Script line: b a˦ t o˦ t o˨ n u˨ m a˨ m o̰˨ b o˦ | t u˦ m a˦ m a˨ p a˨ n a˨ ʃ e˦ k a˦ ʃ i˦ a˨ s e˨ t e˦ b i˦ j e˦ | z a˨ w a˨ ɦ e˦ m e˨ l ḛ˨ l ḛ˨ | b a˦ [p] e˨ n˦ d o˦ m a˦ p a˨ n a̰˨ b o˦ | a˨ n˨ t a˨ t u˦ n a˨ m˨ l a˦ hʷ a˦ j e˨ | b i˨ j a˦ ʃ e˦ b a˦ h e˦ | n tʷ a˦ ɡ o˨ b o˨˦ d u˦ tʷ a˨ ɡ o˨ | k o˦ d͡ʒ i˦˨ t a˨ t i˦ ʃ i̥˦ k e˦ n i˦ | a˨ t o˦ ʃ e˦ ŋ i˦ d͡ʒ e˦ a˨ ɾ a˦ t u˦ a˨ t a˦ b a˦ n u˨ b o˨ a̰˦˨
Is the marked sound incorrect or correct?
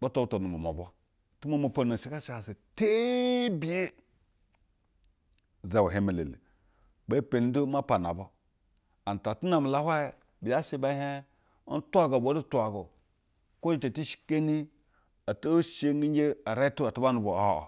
correct